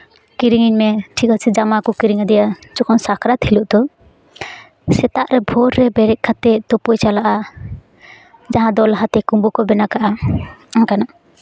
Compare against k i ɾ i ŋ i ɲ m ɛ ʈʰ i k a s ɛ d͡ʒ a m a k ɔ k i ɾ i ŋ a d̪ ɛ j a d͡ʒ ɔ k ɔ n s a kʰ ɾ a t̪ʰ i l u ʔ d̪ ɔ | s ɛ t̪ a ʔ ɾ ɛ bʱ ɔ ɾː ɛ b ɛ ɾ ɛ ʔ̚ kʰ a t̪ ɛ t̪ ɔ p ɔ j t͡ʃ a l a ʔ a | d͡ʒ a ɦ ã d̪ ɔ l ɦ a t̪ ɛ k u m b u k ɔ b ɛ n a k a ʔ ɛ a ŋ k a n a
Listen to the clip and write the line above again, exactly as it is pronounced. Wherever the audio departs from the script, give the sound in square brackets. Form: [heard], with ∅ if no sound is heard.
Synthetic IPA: k i ɾ i ŋ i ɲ m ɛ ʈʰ i k a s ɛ d͡ʒ a m a k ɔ k i ɾ i ŋ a d̪ ɛ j a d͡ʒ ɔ k ɔ n s a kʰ ɾ a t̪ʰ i l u ʔ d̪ ɔ | s ɛ t̪ a ʔ ɾ ɛ bʱ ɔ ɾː ɛ b ɛ ɾ ɛ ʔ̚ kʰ a t̪ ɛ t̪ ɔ p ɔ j t͡ʃ a l a ʔ a | d͡ʒ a ɦ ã d̪ ɔ l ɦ a t̪ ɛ k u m b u k ɔ b ɛ n a k a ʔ [a] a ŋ k a n a